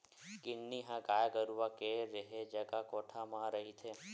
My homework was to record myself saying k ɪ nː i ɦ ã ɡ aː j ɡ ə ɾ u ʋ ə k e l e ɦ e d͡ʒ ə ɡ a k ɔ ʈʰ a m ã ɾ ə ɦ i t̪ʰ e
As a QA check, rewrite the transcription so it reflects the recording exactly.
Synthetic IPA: k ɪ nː i ɦ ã ɡ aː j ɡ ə ɾ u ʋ a k e ɾ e ɦ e d͡ʒ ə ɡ a k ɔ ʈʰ a m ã ɾ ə ɦ i t̪ʰ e